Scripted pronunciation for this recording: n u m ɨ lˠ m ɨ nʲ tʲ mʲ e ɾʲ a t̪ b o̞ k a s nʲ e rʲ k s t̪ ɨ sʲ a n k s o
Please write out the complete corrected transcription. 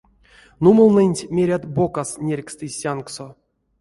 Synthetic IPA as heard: n u m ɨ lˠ n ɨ nʲ tʲ mʲ e ɾʲ a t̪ b o̞ k a s nʲ e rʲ k s t̪ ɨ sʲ a n k s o